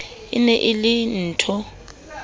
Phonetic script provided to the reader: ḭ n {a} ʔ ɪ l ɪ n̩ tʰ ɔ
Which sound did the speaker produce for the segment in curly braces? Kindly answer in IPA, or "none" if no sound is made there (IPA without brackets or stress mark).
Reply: ɛ